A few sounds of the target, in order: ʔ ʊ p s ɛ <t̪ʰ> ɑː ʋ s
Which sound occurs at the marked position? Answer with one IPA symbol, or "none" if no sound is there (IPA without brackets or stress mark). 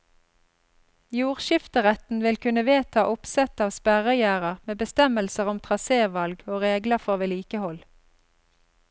t̪